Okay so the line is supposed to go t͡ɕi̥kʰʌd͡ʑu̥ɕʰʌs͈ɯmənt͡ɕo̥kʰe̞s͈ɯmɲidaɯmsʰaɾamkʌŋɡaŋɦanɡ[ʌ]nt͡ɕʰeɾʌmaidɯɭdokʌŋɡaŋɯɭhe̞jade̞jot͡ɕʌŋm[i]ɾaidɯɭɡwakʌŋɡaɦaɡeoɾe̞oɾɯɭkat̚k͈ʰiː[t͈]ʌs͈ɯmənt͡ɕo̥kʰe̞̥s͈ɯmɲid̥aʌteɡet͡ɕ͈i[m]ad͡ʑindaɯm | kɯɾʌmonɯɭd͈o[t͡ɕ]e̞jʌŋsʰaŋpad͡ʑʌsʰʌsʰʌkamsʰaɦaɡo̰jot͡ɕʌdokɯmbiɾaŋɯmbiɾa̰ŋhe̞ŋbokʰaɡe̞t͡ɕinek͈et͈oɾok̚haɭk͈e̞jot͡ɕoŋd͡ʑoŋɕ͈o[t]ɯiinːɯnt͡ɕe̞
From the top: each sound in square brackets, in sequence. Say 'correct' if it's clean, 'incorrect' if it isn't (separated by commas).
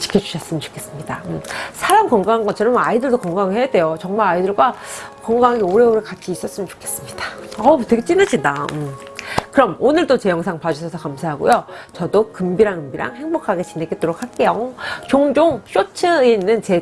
correct, incorrect, incorrect, incorrect, correct, incorrect